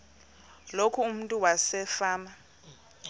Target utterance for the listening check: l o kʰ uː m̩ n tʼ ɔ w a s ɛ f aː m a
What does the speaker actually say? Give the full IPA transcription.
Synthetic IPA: l o kʰ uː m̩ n tʼ u w a s ɛ f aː m a